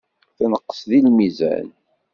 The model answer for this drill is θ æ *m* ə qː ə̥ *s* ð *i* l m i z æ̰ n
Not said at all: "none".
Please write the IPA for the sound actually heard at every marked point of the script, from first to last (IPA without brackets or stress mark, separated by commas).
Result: n, s, i